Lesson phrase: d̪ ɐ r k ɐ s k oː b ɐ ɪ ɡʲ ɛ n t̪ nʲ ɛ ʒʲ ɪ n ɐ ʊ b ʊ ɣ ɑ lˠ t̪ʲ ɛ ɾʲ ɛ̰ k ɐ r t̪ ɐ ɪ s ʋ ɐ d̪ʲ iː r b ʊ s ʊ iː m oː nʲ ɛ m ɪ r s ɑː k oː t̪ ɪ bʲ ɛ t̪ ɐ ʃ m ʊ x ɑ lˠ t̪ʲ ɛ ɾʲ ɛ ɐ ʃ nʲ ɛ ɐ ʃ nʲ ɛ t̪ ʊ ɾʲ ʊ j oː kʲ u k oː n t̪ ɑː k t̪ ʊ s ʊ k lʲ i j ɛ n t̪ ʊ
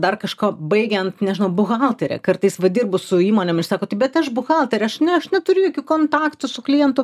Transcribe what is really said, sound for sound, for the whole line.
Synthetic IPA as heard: d̪ ɐ r k ɐ ʃ k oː b ɐ ɪ ɡʲ ɛ n t̪ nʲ ɛ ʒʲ ɪ n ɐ ʊ b ʊ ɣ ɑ lˠ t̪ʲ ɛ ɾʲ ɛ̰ k ɐ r t̪ ɐ ɪ s ʋ ɐ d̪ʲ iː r b ʊ s ʊ iː m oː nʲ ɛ m ɪ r s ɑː k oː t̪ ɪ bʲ ɛ t̪ ɐ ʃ b ʊ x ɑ lˠ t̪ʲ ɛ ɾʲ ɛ ɐ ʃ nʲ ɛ ɐ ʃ nʲ ɛ t̪ ʊ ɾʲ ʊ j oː kʲ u k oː n t̪ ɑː k t̪ ʊ s ʊ k lʲ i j ɛ n t̪ ʊ

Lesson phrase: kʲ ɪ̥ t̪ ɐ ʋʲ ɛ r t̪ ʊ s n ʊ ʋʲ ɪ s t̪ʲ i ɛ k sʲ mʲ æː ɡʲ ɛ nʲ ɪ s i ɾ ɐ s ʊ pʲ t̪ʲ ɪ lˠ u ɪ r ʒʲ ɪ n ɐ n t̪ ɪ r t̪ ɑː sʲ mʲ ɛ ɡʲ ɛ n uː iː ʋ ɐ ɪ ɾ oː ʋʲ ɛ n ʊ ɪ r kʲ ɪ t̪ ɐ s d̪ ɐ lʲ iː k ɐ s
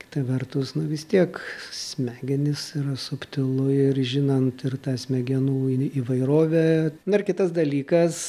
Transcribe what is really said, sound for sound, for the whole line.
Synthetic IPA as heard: kʲ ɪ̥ t̪ ɐ ʋʲ ɛ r t̪ ʊ s n ʊ ʋʲ ɪ s t̪ʲ i ɛ k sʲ mʲ æː ɡʲ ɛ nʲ ɪ s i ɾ ɐ s ʊ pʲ t̪ʲ ɪ lˠ ʊ ɪ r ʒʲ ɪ n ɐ n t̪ ɪ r t̪ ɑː sʲ mʲ ɛ ɡʲ ɛ n uː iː ʋ ɐ ɪ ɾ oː ʋʲ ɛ n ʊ ɪ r kʲ ɪ t̪ ɐ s d̪ ɐ lʲ iː k ɐ s

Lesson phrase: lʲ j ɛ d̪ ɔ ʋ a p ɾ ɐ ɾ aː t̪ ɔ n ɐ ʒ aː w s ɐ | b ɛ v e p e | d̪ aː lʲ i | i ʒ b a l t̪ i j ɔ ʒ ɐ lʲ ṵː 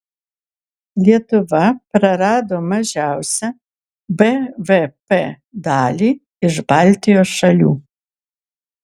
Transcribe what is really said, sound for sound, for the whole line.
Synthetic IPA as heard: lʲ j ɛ t̪ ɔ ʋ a p ɾ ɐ ɾ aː d̪ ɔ m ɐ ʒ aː w s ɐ | b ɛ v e p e | d̪ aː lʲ i | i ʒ b a l t̪ i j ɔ ʃ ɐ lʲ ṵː

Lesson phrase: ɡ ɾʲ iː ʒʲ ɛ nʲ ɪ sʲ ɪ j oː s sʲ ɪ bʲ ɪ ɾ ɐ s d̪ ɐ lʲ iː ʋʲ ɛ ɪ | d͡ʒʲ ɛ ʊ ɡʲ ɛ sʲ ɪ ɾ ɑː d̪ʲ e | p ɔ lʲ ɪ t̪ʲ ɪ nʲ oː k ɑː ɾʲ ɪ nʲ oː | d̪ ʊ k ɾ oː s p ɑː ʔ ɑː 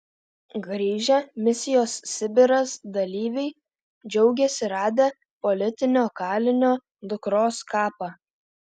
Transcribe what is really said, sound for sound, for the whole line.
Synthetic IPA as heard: ɡ ɾʲ iː ʒʲ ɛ mʲ ɪ sʲ ɪ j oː s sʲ ɪ bʲ ɪ ɾ ɐ s d̪ ɐ lʲ iː ʋʲ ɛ ɪ | d͡ʒʲ ɛ ʊ ɡʲ ɛ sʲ ɪ ɾ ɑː d̪ʲ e | p ɔ lʲ ɪ t̪ʲ ɪ nʲ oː k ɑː lʲ ɪ nʲ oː | d̪ ʊ k ɾ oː s k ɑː p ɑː

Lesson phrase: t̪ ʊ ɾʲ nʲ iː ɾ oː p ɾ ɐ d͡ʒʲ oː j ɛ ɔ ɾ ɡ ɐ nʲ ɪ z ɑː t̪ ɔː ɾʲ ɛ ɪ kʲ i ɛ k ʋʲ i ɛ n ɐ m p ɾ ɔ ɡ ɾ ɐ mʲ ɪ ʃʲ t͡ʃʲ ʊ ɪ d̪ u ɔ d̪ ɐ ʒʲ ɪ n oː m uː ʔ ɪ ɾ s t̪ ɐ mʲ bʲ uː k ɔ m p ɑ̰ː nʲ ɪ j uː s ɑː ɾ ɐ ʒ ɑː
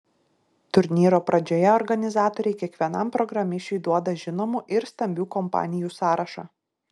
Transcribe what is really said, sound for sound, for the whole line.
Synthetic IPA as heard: t̪ ʊ ɾʲ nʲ iː ɾ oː p ɾ ɐ d͡ʒʲ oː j ɛ ɔ ɾ ɡ ɐ nʲ ɪ z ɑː t̪ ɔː ɾʲ ɛ ɪ kʲ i ɛ k ʋʲ i ɛ n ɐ m p ɾ ɔ ɡ ɾ ɐ mʲ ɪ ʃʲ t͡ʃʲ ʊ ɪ d̪ u ɔ d̪ ɐ ʒʲ ɪ n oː m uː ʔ ɪ ɾ s t̪ ɐ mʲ bʲ uː k ɔ m p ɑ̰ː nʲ ɪ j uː s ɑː ɾ ɐ ʃ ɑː

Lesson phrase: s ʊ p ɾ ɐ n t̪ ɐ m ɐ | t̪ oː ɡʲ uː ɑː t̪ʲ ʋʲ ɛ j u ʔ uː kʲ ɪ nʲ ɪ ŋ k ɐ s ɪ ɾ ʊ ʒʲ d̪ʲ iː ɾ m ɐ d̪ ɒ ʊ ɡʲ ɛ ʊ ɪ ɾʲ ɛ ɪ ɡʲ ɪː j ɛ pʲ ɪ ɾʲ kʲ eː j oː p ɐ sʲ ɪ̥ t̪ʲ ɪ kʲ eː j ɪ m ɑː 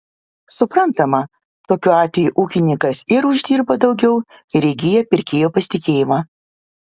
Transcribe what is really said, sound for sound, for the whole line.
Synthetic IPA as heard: s ʊ p ɾ ɐ n t̪ ɐ m ɐ | t̪ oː kʲ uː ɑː t̪ʲ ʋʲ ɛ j u ʔ uː kʲ ɪ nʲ ɪ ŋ k ɐ s ɪ ɾ ʊ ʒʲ d̪ʲ iː ɾ b ɐ d̪ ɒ ʊ ɡʲ ɛ ʊ ɪ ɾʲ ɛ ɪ ɡʲ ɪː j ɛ pʲ ɪ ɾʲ kʲ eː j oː p ɐ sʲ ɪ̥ t̪ʲ ɪ kʲ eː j ɪ m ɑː

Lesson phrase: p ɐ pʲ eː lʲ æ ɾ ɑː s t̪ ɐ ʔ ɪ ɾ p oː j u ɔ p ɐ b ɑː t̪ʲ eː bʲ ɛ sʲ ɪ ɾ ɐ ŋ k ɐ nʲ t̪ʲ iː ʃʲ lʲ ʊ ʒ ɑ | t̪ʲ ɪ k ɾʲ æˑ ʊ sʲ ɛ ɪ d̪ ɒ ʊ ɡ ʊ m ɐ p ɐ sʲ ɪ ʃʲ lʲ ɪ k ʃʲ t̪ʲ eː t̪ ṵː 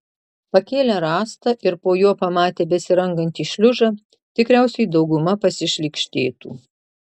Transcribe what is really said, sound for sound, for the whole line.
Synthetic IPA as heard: p ɐ kʲ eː lʲ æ ɾ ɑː s t̪ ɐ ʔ ɪ ɾ p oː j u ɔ p ɐ m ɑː t̪ʲ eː bʲ ɛ sʲ ɪ ɾ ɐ ŋ ɡ ɐ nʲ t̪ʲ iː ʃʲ lʲ ʊ ʒ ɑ | t̪ʲ ɪ k ɾʲ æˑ ʊ sʲ ɛ ɪ d̪ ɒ ʊ ɡ ʊ m ɐ p ɐ sʲ ɪ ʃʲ lʲ ɪ k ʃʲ t̪ʲ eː t̪ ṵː

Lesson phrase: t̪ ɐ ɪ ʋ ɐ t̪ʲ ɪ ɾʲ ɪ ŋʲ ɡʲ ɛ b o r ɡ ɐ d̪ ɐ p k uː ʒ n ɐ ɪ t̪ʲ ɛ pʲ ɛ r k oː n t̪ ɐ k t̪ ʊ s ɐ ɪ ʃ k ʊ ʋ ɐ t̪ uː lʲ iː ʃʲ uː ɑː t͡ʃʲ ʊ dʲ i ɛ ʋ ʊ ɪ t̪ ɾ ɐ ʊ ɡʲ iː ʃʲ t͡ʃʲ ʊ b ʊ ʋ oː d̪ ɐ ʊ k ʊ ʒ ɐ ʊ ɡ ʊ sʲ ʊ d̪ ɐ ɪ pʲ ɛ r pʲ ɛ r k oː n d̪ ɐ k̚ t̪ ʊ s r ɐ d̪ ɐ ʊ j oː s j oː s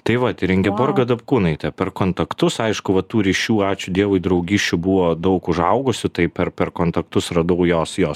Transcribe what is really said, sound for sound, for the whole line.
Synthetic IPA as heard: t̪ ɐ ɪ ʋ ɐ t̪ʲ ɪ ɾʲ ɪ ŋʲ ɡʲ ɛ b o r ɡ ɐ d̪ ɐ p k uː n ɐ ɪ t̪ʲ ɛ pʲ ɛ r k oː n t̪ ɐ k t̪ ʊ s ɐ ɪ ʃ k ʊ ʋ ɐ t̪ uː ɾʲ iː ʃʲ uː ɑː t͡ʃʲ ʊ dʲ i ɛ ʋ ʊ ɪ d̪ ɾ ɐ ʊ ɡʲ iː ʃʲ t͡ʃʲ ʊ b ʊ ʋ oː d̪ ɐ ʊ k ʊ ʒ ɐ ʊ ɡ ʊ sʲ ʊ t̪ ɐ ɪ pʲ ɛ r pʲ ɛ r k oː n t̪ ɐ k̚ t̪ ʊ s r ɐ d̪ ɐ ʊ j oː s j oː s

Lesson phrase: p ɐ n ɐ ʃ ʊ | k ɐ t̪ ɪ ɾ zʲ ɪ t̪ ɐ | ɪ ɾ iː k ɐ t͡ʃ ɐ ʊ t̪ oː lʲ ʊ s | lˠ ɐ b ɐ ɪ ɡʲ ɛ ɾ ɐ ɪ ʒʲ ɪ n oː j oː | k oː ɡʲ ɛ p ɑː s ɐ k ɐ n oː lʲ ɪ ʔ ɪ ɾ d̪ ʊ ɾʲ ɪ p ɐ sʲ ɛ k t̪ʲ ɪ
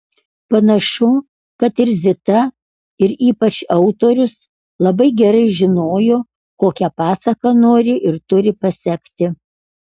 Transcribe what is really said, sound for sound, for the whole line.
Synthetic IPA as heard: p ɐ n ɐ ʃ ʊ | k ɐ t̪ ɪ ɾ zʲ ɪ t̪ ɐ | ɪ ɾ iː p ɐ t͡ʃ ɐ ʊ t̪ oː ɾʲ ʊ s | lˠ ɐ b ɐ ɪ ɡʲ ɛ ɾ ɐ ɪ ʒʲ ɪ n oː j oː | k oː kʲ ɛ p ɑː s ɐ k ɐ n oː ɾʲ ɪ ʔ ɪ ɾ t̪ ʊ ɾʲ ɪ p ɐ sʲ ɛ k t̪ʲ ɪ

